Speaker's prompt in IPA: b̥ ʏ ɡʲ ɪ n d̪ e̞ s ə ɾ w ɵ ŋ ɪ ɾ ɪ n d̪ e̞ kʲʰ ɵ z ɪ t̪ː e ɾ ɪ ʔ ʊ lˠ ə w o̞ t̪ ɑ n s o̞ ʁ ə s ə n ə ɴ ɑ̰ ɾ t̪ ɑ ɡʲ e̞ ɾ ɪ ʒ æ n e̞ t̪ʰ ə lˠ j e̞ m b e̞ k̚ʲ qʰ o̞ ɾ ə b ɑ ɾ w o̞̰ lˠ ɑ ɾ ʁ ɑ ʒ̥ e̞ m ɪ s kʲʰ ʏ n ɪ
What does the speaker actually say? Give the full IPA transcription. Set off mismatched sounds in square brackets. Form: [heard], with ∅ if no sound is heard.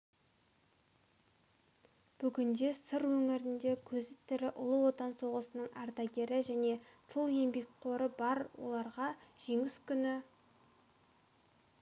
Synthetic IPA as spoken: b̥ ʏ ɡʲ ɪ n d̪ e̞ s ə ɾ w ɵ ŋ ɪ ɾ ɪ n d̪ e̞ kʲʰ ɵ z ɪ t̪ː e ɾ ɪ ʔ ʊ lˠ ə w o̞ t̪ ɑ n s o̞ ʁ ə s ə n ə ɴ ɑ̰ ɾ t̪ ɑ ɡʲ e̞ ɾ ɪ ʒ æ n e̞ t̪ʰ ə lˠ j e̞ m b e̞ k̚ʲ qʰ o̞ ɾ ə b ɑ ɾ w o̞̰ lˠ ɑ ɾ ʁ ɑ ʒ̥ e̞ [ŋ] ɪ s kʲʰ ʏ n ɪ

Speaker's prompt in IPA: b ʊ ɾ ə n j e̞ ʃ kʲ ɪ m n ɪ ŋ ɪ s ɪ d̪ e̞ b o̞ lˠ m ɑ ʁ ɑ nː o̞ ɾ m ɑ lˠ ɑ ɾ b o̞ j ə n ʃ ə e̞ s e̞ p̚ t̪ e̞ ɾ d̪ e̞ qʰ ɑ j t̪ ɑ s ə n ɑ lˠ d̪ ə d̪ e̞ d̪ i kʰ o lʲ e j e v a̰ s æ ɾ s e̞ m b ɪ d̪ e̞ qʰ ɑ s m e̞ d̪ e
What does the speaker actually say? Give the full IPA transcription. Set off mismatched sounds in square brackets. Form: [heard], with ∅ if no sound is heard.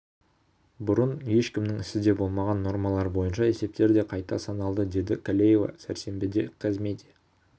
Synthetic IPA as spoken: b ʊ ɾ ə n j e̞ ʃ kʲ ɪ m n ɪ ŋ ɪ s ɪ d̪ e̞ b o̞ lˠ m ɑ ʁ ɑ nː o̞ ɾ m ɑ lˠ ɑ ɾ b o̞ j ə n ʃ [ɑ] e̞ s e̞ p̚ t̪ e̞ ɾ d̪ e̞ qʰ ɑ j t̪ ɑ s [ɑ] n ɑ lˠ d̪ ə d̪ e̞ d̪ [ɪ] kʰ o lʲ e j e v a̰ s æ ɾ s e̞ m b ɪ d̪ e̞ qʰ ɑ [z] m e̞ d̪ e

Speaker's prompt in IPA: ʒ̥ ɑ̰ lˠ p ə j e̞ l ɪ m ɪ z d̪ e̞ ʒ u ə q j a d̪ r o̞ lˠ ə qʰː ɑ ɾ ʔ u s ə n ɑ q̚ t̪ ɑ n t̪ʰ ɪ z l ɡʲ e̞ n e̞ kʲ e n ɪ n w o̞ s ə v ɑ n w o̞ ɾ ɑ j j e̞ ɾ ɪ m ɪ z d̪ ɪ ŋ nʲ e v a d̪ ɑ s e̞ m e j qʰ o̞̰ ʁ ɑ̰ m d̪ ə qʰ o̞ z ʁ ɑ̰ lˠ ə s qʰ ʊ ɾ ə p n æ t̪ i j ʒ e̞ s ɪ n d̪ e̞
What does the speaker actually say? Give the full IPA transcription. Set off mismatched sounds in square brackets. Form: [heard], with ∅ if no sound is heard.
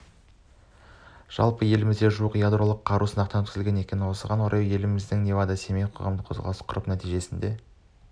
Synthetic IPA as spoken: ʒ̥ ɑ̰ lˠ p ə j e̞ l ɪ m ɪ z d̪ e̞ ʒ u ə q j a d̪ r o̞ lˠ ə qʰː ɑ ɾ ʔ u s ə n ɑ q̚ t̪ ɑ n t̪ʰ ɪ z l ɡʲ e̞ n e̞ kʲ e n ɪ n w o̞ s ə [ʁ] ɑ n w o̞ ɾ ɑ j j e̞ [l] ɪ m ɪ z d̪ ɪ ŋ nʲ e v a d̪ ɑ s e̞ m e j qʰ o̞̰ ʁ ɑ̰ m d̪ ə qʰ o̞ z ʁ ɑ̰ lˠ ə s qʰ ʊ ɾ ə p n æ t̪ i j ʒ e̞ s ɪ n d̪ e̞

